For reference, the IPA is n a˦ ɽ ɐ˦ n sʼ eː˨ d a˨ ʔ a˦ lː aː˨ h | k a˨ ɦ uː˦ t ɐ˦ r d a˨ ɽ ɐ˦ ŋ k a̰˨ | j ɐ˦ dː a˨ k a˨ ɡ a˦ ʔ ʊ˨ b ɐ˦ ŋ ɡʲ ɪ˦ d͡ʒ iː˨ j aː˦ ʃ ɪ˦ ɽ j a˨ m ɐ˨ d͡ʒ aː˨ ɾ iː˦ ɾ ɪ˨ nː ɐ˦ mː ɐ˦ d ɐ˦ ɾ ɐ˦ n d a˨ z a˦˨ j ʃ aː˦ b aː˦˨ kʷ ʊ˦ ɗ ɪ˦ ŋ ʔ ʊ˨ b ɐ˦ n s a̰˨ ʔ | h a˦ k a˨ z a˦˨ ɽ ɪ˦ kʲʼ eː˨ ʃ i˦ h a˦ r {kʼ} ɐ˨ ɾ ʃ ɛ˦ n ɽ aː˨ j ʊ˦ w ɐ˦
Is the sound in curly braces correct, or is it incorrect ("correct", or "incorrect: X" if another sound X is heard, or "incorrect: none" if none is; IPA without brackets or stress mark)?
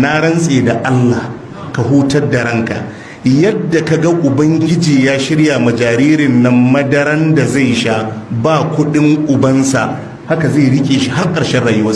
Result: correct